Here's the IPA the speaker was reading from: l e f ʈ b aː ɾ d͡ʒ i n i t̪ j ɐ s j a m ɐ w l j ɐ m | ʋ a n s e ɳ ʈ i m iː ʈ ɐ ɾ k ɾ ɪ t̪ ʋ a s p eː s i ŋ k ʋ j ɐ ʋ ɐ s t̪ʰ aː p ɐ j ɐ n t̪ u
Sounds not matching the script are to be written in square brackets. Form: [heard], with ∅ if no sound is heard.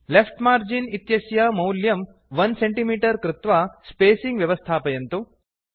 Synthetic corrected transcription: l e f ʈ [m] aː ɾ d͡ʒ i n i t̪ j ɐ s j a m ɐ w l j ɐ m | ʋ [ɐ] n s e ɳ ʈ i m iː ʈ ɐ ɾ k ɾ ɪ t̪ ʋ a s p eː s i ŋ [ɡ] ʋ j ɐ ʋ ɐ s t̪ʰ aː p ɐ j ɐ n t̪ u